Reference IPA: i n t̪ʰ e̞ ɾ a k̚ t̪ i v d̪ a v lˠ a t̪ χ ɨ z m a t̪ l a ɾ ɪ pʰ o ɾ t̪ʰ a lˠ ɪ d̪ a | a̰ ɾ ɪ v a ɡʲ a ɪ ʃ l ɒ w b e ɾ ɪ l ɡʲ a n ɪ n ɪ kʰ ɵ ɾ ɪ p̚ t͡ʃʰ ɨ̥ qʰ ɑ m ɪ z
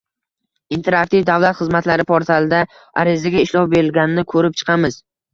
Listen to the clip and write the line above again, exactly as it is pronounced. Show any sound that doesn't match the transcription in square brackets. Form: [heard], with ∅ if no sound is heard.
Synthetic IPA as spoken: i n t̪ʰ e̞ ɾ a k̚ t̪ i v d̪ a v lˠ a t̪ χ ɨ z m a t̪ l a ɾ ɪ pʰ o ɾ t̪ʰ a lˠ ɪ d̪ a | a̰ ɾ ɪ [z] a ɡʲ a ɪ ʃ l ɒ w b e ɾ ɪ l ɡʲ a n ɪ n ɪ kʰ ɵ ɾ ɪ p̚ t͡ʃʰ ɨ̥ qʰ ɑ m ɪ z